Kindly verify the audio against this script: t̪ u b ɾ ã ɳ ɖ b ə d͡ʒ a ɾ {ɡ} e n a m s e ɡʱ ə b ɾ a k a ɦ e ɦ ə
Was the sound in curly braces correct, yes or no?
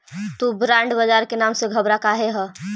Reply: no